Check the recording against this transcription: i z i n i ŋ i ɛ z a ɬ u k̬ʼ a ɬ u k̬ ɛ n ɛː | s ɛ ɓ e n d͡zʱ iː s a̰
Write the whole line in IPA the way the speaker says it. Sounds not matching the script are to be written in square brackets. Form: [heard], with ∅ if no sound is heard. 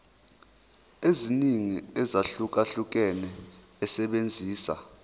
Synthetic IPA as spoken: [e] z i n i ŋ i ɛ z a ɬ u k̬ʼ a ɬ u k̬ ɛ n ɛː | s ɛ ɓ e n d͡zʱ iː s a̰